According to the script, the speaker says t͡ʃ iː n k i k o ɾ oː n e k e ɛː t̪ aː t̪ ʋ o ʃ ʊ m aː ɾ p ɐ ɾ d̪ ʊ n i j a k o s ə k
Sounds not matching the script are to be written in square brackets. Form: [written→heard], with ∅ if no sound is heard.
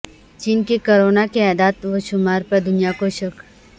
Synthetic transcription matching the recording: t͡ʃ iː n k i k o ɾ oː n [e→a] k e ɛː [t̪→d̪] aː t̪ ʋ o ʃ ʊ m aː ɾ p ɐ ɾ d̪ ʊ n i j a k o [s→ʃ] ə k